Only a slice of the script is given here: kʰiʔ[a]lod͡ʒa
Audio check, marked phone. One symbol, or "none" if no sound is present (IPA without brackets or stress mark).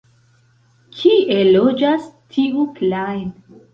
e